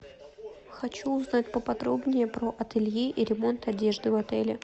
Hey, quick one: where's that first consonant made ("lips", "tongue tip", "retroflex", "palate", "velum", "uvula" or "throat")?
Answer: velum